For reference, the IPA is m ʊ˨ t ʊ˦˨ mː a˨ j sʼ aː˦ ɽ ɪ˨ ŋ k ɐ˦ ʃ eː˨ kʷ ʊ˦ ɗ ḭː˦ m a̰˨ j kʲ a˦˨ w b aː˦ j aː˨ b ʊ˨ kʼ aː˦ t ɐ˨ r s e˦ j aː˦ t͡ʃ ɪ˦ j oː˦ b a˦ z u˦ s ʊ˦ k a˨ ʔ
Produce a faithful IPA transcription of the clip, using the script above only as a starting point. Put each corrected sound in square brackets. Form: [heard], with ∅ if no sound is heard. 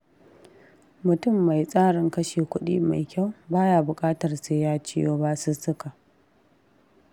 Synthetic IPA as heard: m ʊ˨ t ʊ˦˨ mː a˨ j sʼ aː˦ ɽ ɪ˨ ŋ k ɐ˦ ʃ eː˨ kʷ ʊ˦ ɗ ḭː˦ m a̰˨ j kʲ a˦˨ w b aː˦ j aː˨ b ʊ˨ kʼ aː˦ t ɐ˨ r s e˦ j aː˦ t͡ʃ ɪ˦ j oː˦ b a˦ [s] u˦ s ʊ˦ k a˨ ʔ